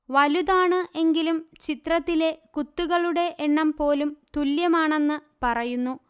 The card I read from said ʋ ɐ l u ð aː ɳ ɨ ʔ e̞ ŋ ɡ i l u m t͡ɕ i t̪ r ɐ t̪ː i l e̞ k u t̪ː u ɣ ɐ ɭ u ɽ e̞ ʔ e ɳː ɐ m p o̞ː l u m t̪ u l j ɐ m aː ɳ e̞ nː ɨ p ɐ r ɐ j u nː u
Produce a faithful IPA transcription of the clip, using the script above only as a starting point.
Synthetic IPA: ʋ ɐ l u ð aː ɳ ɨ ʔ e̞ ŋ ɡ i l u m t͡ɕ i t̪ r ɐ t̪ː i l e̞ k u t̪ː u ɣ ɐ ɭ u ɽ e̞ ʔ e ɳː ɐ m p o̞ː l u m t̪ u l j ɐ m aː ɳ e̞ nː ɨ p ɐ r ɐ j u nː u